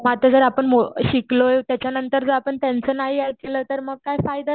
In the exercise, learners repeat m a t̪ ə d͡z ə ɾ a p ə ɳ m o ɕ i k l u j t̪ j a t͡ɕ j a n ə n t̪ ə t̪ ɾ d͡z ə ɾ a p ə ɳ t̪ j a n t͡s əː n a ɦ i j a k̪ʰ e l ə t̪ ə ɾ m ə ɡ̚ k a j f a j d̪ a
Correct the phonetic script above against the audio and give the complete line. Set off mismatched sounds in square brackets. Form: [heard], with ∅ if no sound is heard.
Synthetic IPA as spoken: m a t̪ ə d͡z ə ɾ a p ə ɳ m o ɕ i k l [o] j t̪ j a t͡ɕ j a n ə n t̪ ə [∅] ɾ d͡z ə ɾ a p ə ɳ t̪ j a n t͡s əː n a ɦ i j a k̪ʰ e l ə t̪ ə ɾ m ə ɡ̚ k a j f a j d̪ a